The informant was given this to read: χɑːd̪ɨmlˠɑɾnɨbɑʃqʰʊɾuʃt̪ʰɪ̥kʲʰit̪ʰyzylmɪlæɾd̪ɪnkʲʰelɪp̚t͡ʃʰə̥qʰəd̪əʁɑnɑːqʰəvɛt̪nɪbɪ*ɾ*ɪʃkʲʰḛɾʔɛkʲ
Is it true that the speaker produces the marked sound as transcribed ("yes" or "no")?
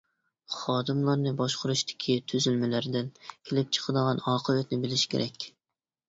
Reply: no